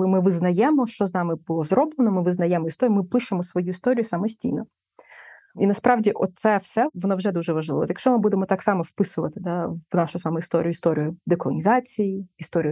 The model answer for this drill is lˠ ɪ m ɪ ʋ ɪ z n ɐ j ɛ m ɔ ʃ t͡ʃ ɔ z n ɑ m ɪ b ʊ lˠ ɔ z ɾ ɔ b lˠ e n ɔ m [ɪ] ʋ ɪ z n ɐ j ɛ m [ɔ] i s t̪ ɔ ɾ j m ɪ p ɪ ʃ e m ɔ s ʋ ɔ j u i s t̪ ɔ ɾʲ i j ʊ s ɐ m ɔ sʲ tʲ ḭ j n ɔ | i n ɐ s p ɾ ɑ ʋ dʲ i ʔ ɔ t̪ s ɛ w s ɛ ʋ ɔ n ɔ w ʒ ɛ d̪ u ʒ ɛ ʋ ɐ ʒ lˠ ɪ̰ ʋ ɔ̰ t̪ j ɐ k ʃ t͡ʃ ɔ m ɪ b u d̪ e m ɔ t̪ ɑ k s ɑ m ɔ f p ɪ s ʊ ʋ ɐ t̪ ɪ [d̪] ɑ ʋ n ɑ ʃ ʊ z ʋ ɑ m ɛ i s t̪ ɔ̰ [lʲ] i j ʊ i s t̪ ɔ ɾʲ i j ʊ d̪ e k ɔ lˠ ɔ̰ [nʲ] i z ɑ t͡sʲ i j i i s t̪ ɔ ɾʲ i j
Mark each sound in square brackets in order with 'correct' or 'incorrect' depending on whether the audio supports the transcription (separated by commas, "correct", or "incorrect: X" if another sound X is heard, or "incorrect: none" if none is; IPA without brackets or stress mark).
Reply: correct, correct, correct, incorrect: ɾʲ, correct